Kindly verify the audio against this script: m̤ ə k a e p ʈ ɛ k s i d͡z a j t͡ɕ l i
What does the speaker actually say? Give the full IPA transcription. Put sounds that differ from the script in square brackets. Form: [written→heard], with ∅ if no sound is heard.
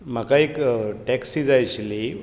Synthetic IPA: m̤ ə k a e [p→k] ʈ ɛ k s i d͡z a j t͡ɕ l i